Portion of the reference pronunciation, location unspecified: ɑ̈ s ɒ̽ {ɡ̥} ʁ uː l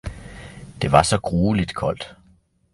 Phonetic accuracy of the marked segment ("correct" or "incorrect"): correct